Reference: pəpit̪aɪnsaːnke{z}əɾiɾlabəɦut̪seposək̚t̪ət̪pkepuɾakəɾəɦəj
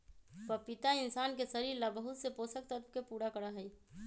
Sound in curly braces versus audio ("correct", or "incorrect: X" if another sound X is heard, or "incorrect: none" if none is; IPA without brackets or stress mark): incorrect: s